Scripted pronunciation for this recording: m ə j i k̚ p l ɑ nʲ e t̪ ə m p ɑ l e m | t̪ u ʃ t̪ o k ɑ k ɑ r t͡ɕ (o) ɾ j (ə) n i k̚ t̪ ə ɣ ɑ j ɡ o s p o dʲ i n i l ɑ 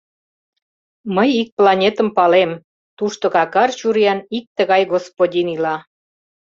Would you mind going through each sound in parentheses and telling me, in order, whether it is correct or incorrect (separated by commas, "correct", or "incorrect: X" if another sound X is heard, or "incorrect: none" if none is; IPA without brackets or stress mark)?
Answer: incorrect: u, incorrect: ɑ